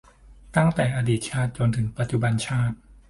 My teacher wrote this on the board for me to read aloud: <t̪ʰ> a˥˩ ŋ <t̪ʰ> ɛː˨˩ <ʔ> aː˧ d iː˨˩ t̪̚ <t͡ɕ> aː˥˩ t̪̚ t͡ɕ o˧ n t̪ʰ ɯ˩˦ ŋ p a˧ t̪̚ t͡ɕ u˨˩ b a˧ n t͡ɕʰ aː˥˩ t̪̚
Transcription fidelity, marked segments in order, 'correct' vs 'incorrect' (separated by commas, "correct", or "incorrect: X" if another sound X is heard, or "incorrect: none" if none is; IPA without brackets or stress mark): incorrect: t̪, incorrect: t̪, correct, incorrect: t͡ɕʰ